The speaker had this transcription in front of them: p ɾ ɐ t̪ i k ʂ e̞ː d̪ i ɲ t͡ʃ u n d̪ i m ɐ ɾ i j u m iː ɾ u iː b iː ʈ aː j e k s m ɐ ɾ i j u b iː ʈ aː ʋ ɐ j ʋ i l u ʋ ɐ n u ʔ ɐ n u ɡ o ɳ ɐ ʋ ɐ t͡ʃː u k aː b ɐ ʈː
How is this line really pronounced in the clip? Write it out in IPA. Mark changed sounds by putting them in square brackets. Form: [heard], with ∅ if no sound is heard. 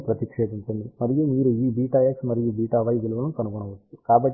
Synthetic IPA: p ɾ ɐ t̪ i k ʂ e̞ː d̪ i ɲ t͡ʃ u n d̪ i m ɐ ɾ i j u m iː ɾ u iː b iː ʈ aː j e k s m ɐ ɾ i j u b iː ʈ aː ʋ ɐ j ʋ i l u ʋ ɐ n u [k] ɐ n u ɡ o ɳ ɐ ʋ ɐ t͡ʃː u k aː b ɐ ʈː